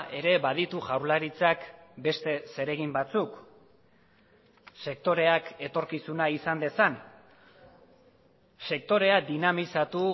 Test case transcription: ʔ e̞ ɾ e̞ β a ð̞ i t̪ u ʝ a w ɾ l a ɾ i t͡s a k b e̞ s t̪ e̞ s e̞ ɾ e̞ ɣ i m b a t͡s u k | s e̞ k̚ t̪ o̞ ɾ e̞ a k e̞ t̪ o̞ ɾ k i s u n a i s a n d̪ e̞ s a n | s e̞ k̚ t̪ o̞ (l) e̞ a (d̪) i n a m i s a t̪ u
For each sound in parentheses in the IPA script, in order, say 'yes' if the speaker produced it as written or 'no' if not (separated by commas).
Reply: no, yes